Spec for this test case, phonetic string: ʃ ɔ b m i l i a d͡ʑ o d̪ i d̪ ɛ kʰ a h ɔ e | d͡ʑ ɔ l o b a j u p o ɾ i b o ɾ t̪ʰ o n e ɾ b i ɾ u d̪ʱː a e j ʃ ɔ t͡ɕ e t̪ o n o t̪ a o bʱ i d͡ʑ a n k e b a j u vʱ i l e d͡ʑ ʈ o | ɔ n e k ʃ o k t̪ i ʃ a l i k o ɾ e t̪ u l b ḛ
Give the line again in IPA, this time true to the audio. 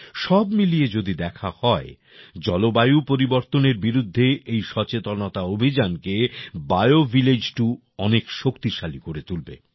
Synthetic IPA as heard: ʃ ɔ b m i l i e d͡ʑ o d̪ i d̪ ɛ kʰ a h ɔ e | d͡ʑ ɔ l o b a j u p o ɾ i b o ɾ t̪ o n e ɾ b i ɾ u d̪ʱː e e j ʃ ɔ t͡ɕ e t̪ o n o t̪ a o bʱ i d͡ʑ a n k e b a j o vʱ i l e d͡ʑ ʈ u | ɔ n e k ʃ o k t̪ i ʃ a l i k o ɾ e t̪ u l b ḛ